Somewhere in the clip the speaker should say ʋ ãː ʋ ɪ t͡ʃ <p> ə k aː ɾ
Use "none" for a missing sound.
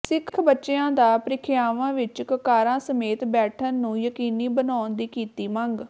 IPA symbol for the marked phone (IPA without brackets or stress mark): k